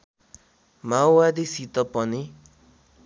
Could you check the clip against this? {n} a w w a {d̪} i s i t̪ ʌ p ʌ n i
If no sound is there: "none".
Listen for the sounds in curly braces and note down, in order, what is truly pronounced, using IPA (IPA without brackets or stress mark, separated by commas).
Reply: m, d̪